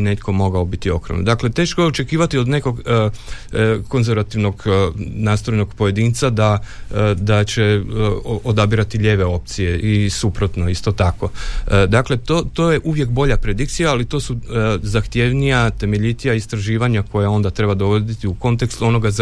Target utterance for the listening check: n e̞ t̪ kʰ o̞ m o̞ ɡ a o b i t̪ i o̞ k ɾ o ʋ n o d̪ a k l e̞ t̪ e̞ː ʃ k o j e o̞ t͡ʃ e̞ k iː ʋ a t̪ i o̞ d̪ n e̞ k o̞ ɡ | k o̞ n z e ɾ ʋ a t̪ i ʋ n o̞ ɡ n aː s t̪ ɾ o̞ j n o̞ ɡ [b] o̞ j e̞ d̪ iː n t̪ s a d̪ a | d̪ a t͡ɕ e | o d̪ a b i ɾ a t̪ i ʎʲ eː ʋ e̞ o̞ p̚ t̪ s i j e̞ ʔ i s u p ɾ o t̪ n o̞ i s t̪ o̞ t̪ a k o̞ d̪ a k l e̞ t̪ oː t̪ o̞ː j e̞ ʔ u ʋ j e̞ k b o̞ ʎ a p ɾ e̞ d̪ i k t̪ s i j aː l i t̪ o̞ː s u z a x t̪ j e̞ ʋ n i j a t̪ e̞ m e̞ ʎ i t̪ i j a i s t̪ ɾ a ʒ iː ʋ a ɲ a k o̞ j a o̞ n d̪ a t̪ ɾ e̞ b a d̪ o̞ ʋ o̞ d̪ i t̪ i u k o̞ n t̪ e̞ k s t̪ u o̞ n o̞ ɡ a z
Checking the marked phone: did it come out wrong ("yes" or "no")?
yes